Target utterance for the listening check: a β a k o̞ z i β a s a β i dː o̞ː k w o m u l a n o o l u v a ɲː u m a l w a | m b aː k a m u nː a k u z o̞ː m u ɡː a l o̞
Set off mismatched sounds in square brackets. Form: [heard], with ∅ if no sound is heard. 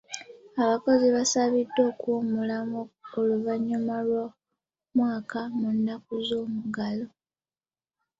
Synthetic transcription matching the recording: a β a k o̞ z i β a s a β i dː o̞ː k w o m u l a [m] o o l u v a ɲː u m a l w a | m [w] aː k a m u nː a k u z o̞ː m u [ɡ] a l o̞